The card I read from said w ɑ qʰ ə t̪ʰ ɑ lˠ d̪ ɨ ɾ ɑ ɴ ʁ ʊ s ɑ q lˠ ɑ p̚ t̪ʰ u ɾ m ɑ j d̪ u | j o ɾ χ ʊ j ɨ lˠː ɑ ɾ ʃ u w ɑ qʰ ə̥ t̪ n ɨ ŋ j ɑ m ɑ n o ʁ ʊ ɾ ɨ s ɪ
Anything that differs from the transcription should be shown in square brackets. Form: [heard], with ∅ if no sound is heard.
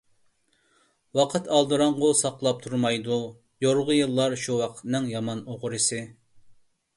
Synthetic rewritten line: w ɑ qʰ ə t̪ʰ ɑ lˠ d̪ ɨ ɾ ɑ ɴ ʁ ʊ s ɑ q lˠ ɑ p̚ t̪ʰ u ɾ m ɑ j d̪ u | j o ɾ [ʁ] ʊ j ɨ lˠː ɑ ɾ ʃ u w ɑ qʰ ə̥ t̪ n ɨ ŋ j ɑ m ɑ n o ʁ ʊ ɾ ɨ s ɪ